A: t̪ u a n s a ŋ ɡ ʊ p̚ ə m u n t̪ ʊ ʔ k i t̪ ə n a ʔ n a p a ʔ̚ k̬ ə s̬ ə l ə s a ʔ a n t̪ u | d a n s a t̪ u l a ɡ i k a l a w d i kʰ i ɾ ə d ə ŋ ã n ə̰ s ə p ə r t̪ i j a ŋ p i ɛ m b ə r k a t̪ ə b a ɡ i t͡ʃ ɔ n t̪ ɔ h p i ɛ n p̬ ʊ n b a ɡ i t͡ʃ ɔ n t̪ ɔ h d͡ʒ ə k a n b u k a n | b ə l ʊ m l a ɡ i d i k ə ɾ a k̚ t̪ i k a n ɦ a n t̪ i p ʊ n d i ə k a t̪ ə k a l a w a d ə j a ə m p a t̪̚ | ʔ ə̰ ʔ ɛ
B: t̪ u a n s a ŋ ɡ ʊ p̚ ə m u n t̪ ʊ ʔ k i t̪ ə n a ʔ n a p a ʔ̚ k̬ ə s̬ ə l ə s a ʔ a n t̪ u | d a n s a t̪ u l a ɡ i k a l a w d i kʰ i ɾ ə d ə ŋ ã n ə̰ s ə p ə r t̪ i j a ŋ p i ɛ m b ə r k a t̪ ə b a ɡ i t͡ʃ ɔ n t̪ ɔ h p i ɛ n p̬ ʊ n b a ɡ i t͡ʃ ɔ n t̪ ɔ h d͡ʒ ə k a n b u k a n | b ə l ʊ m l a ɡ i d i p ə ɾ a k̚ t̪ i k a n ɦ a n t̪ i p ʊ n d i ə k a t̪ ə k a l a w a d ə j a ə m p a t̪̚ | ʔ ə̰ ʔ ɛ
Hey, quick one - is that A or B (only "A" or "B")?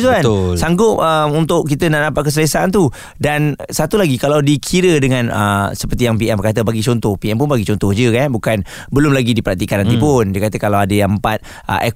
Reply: B